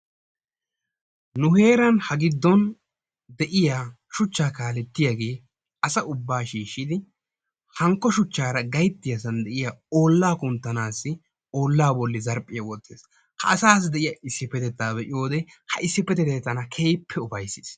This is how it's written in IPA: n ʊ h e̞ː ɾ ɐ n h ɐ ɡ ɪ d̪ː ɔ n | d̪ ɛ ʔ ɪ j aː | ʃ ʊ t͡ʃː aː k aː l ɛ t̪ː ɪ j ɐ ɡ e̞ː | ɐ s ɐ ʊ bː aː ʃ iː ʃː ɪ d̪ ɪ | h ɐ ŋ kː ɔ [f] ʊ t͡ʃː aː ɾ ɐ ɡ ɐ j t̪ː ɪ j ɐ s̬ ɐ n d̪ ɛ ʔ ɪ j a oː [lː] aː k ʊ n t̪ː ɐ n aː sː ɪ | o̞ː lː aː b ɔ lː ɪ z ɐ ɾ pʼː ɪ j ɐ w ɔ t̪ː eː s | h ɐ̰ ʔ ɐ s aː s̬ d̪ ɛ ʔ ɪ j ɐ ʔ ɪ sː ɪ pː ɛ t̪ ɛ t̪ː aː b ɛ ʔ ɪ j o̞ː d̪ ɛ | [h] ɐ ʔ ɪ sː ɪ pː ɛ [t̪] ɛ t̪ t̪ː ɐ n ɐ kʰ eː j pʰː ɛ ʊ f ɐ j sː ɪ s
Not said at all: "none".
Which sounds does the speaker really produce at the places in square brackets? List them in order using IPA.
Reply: ʃ, lː, h, t̪

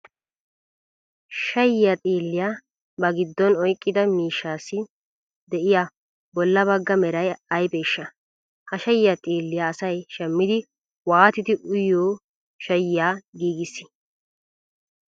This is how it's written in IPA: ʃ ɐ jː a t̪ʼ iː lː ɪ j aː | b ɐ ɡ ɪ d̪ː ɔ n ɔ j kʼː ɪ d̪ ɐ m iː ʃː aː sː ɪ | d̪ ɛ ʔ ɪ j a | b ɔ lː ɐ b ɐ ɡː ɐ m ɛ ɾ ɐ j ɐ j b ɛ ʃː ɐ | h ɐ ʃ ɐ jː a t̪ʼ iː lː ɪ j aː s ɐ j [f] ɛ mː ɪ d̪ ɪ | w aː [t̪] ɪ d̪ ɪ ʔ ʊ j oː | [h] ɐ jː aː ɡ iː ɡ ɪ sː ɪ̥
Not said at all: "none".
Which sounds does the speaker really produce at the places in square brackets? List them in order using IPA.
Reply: ʃ, t̪, ʃ

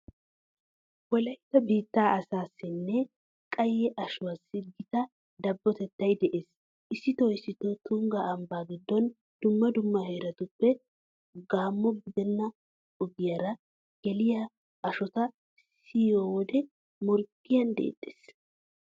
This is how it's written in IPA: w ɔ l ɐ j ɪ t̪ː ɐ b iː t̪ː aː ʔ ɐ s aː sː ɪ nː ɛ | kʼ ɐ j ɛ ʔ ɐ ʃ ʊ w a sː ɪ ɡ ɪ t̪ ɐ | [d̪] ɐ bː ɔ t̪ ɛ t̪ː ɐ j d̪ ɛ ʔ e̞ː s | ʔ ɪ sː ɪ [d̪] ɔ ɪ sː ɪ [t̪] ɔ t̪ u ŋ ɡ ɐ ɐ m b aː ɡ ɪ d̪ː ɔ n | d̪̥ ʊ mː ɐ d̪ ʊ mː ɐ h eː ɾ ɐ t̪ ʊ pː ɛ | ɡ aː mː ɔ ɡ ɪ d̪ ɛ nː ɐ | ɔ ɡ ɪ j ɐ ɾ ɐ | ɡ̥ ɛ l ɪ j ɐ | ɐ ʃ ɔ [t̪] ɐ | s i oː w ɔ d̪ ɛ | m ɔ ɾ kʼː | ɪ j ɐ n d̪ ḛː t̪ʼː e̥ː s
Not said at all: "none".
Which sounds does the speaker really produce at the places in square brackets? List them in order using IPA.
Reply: d̪, t̪, t̪, t̪

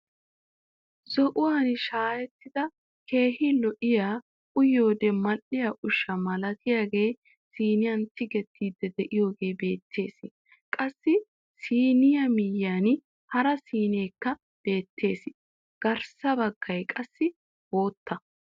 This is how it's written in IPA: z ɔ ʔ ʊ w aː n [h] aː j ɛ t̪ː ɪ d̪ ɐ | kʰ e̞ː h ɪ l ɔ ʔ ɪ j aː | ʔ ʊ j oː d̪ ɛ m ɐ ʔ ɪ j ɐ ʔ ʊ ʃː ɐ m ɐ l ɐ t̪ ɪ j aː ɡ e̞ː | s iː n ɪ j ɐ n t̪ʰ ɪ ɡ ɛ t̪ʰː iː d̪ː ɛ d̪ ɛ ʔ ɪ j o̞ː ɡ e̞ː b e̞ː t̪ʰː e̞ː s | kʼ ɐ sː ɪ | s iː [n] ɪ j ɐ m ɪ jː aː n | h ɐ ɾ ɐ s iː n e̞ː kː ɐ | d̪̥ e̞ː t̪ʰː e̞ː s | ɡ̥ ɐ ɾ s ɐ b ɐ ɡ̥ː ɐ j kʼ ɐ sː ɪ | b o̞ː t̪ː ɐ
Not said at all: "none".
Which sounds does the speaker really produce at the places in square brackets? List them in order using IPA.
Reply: ʃ, n

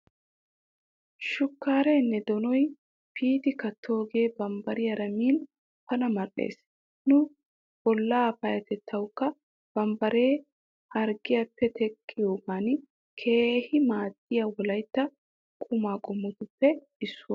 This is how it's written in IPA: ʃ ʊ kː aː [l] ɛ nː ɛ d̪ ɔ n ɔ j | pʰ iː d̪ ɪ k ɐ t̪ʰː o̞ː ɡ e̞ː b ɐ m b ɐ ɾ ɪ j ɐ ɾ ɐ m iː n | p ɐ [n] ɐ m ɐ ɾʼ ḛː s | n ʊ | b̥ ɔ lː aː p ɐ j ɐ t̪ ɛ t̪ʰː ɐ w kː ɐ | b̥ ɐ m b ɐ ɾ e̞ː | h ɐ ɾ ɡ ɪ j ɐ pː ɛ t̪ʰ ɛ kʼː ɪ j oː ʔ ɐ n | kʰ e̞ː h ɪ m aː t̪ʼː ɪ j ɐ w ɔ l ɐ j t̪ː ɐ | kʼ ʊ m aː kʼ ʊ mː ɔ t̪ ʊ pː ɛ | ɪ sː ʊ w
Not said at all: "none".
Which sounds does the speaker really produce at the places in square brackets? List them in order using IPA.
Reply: ɾ, n

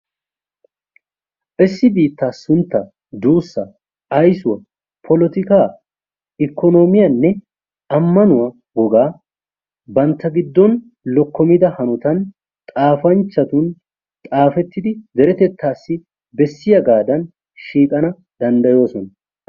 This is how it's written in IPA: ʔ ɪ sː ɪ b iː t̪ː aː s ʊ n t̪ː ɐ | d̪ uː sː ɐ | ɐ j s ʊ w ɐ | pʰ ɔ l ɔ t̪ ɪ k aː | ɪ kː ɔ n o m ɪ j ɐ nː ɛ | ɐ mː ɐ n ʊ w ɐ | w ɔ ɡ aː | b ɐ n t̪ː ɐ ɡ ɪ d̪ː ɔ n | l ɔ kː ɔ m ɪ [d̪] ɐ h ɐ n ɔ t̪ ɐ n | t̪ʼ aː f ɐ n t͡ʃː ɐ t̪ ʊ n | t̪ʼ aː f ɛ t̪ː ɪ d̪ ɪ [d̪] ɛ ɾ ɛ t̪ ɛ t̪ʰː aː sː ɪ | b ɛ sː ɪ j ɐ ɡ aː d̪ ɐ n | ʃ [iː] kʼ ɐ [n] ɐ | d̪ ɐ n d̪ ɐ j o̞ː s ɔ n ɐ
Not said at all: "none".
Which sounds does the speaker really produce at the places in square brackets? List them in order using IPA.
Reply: d̪, d̪, iː, n

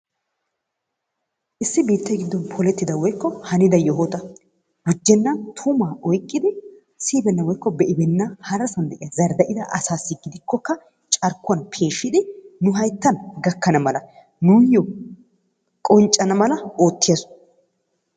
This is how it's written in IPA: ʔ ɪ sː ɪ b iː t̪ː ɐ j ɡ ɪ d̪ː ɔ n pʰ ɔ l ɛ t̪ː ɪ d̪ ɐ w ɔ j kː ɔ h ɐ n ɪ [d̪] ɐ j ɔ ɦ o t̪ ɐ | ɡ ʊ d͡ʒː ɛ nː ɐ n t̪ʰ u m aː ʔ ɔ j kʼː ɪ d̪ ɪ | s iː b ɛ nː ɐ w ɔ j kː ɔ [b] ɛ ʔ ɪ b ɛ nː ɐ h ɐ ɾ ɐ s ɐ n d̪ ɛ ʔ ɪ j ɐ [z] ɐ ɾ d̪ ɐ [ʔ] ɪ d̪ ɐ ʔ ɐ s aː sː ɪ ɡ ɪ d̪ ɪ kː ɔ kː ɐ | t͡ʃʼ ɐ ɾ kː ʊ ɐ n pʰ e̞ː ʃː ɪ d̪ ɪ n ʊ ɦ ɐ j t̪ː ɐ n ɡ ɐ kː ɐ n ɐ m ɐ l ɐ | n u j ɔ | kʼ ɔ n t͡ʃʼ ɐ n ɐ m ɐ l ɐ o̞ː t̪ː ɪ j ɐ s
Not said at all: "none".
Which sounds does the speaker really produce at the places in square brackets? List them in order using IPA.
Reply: d̪, b, z, ʔ

